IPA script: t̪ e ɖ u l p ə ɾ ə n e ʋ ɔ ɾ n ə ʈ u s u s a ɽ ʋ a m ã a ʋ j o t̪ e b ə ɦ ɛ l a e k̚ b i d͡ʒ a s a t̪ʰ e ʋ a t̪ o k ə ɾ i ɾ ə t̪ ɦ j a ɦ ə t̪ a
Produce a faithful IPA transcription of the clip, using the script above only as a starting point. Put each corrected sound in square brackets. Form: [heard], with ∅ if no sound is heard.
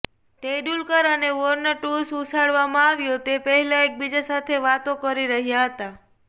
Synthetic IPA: t̪ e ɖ u l [k] ə ɾ ə n e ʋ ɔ ɾ n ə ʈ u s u s a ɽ ʋ a m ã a ʋ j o t̪ e [p] ə ɦ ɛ l a e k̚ b i d͡ʒ a s a t̪ʰ e ʋ a t̪ o k ə ɾ i ɾ ə [∅] ɦ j a ɦ ə t̪ a